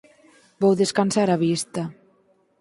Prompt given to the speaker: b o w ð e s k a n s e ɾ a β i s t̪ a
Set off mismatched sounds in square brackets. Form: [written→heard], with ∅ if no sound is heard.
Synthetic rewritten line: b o w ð e s k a n s [e→a] ɾ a β i s t̪ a